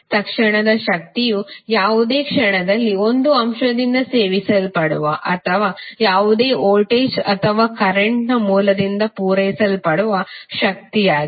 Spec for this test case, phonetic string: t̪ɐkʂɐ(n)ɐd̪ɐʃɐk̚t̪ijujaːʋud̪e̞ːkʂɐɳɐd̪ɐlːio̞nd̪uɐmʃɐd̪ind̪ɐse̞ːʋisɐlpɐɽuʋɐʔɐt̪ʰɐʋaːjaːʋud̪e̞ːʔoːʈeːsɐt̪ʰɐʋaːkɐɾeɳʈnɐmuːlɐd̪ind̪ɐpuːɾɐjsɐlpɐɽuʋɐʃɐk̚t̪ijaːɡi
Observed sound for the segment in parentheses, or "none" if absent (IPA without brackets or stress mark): ɳ